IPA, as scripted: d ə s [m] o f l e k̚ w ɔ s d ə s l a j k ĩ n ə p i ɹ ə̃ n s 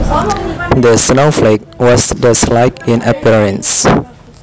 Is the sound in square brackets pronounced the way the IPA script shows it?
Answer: no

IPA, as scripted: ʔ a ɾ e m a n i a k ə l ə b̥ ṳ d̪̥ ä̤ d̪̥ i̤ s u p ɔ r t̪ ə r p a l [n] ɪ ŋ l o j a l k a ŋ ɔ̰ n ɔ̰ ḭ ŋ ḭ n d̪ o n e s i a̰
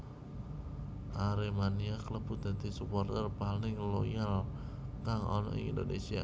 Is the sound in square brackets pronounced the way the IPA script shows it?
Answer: yes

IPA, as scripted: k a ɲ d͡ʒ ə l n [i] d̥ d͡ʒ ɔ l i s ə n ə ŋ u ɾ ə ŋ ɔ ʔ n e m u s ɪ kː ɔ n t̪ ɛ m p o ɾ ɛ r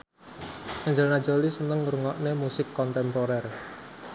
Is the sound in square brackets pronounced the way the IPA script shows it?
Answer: no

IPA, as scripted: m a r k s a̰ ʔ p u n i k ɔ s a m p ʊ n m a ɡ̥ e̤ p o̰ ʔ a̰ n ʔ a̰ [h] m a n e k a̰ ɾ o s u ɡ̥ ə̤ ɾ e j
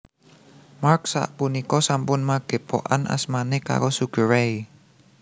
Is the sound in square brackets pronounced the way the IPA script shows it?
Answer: no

